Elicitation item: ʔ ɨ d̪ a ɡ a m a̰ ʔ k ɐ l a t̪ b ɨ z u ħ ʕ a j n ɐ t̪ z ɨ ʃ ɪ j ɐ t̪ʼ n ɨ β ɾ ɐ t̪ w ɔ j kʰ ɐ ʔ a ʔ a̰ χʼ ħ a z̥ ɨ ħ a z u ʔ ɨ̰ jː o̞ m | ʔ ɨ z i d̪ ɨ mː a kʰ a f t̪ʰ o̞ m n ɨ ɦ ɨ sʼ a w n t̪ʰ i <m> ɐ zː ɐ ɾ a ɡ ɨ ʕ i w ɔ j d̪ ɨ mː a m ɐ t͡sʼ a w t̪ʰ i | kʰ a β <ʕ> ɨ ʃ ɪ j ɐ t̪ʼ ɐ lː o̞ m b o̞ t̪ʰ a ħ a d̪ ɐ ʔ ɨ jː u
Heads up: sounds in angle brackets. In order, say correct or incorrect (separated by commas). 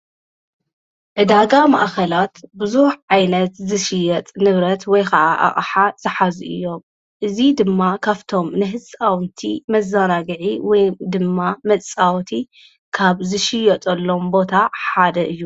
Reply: correct, incorrect